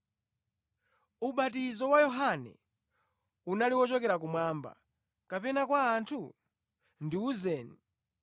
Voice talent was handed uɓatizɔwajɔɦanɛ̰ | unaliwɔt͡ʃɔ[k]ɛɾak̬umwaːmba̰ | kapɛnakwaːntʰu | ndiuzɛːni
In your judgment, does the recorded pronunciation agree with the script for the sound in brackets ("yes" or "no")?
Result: yes